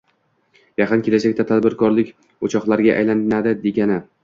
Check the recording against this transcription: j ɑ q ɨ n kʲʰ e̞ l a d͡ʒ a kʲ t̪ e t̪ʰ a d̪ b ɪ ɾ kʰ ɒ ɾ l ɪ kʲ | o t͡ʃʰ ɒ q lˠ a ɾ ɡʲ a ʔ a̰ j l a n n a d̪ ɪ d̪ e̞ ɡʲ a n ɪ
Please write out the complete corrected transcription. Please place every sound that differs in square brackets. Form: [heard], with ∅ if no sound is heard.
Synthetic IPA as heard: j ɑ q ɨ n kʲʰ e̞ l a d͡ʒ a kʲ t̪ [a] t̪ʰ a d̪ b ɪ ɾ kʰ ɒ ɾ l ɪ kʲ | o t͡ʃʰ ɒ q lˠ a ɾ ɡʲ a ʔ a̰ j l a n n a d̪ ɪ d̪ e̞ ɡʲ a n ɪ